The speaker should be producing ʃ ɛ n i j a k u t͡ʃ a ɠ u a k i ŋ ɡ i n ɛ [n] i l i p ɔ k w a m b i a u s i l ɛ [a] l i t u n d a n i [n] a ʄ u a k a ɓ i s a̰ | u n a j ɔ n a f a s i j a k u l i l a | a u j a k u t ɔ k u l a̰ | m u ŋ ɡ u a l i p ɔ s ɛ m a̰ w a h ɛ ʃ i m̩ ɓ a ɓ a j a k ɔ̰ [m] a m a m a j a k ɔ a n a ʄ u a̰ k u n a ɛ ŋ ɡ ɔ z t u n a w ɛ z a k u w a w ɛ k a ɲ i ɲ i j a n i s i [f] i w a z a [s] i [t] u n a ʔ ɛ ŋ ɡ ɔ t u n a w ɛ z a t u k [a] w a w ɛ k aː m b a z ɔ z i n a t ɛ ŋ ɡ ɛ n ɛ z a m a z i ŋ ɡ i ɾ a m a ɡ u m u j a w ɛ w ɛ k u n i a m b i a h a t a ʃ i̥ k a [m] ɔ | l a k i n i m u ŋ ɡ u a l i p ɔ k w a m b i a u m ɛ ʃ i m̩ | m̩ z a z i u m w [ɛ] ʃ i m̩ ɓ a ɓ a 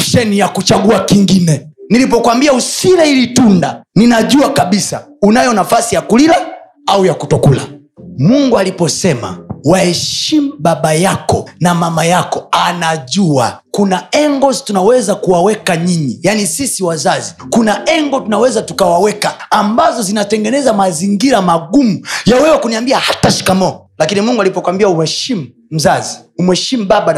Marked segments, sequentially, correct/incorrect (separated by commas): correct, incorrect, correct, incorrect, incorrect, incorrect, incorrect, correct, correct, correct